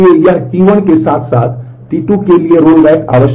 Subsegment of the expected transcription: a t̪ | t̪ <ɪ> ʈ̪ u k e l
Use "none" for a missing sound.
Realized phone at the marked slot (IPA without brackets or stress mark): i